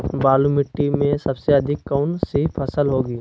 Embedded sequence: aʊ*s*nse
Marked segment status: incorrect: none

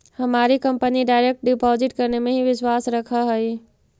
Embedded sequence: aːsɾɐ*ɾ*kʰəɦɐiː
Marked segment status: incorrect: none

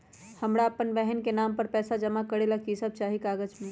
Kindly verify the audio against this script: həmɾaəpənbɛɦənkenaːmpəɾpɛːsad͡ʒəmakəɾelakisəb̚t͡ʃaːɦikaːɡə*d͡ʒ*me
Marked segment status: correct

